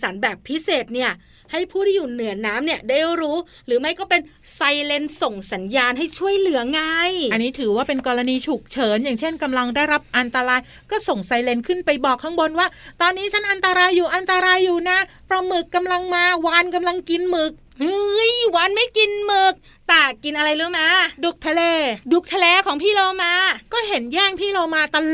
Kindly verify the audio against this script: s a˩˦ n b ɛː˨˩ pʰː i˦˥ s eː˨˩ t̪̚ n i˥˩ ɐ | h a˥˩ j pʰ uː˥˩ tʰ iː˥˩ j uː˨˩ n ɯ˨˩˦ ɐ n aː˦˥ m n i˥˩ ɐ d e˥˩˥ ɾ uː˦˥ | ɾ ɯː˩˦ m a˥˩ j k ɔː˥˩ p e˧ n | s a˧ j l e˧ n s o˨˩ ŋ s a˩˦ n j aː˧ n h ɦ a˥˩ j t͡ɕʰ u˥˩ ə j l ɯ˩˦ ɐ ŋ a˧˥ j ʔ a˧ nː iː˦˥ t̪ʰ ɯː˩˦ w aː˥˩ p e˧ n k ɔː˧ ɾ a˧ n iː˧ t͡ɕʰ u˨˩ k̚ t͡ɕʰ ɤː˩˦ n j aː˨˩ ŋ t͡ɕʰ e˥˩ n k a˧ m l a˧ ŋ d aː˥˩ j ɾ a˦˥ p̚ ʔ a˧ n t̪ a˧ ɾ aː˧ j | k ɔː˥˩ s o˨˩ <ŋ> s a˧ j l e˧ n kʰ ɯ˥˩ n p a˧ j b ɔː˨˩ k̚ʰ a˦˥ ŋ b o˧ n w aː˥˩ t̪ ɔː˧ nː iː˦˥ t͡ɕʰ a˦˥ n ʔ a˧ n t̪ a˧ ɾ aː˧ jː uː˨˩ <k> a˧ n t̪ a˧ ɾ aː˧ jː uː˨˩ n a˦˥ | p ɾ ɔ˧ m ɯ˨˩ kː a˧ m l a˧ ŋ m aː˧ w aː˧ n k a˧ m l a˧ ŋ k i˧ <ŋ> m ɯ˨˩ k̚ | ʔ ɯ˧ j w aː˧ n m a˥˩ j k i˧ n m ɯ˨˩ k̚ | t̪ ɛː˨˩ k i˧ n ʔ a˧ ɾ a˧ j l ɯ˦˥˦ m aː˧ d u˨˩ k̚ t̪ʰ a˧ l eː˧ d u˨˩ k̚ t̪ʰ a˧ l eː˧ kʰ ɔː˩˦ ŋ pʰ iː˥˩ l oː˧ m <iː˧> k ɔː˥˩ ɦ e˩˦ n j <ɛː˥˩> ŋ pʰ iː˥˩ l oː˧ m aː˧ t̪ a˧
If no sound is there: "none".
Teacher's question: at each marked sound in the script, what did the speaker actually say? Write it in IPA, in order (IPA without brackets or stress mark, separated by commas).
ŋ, ʔ, n, aː˧, ɛː˥˩